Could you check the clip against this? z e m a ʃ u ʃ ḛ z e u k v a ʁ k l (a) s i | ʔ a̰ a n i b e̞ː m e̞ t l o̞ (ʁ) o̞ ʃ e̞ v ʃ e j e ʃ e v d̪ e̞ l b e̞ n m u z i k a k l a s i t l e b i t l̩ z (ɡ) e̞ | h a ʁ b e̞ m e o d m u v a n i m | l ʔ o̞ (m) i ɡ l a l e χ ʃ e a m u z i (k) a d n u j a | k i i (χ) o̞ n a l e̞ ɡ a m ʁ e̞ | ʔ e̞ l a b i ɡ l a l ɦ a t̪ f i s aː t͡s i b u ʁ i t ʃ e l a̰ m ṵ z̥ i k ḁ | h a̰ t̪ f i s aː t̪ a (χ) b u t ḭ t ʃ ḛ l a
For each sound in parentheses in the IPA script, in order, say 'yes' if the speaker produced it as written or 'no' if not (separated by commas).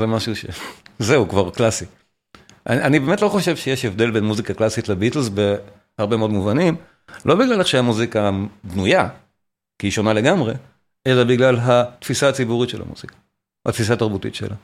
yes, no, no, no, yes, no, no